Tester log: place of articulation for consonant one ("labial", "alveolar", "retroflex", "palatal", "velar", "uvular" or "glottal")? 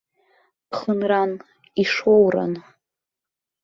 uvular